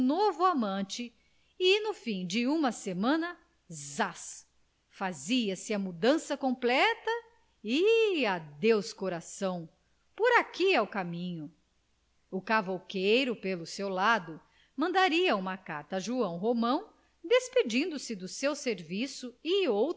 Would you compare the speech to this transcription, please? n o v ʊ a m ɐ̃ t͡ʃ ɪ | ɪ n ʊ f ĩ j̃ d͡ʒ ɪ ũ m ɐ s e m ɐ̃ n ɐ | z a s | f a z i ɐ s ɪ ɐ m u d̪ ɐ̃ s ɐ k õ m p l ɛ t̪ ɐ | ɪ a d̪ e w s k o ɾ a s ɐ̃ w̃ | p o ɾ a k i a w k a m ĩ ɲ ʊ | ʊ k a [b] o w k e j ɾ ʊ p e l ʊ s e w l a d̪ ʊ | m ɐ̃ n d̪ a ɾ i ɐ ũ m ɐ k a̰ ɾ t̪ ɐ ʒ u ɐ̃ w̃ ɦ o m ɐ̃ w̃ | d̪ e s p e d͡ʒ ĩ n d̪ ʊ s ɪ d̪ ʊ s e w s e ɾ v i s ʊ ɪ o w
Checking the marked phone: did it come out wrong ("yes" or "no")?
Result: yes